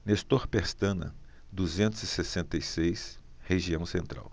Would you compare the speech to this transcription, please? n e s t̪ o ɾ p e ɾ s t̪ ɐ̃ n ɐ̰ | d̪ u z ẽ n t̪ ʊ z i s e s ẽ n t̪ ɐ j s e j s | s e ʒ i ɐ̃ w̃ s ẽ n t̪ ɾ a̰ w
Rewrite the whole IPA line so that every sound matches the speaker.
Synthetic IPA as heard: n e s t̪ o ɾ p e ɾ s t̪ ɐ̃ n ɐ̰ | d̪ u z ẽ n t̪ ʊ z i s e s ẽ n t̪ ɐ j s e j s | h e ʒ i ɐ̃ w̃ s ẽ n t̪ ɾ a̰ w